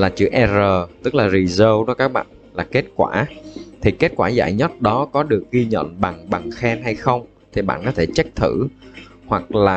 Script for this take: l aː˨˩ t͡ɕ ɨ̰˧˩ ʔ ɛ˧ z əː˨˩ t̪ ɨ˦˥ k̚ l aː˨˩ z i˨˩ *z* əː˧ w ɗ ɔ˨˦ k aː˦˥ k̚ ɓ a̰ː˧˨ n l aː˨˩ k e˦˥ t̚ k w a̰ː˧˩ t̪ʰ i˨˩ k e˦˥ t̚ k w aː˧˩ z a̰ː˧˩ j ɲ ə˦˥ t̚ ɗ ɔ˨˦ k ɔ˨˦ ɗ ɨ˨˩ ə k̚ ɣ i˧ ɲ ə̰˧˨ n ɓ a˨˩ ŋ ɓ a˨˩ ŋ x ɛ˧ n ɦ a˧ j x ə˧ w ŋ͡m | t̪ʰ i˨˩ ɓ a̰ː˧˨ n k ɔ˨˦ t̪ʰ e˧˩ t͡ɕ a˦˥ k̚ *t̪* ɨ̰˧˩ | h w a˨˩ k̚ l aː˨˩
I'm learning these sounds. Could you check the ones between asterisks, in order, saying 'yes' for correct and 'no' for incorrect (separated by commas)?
yes, no